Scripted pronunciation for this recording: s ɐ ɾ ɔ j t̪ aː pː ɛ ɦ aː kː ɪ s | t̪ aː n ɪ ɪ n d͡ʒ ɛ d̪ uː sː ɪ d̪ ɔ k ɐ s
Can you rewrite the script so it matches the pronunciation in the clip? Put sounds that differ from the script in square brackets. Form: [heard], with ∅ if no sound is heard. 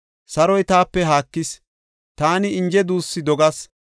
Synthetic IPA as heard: s ɐ ɾ ɔ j t̪ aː pː ɛ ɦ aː kː ɪ s | t̪ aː n ɪ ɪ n d͡ʒ ɛ d̪ uː sː ɪ d̪ ɔ [ɡ] ɐ s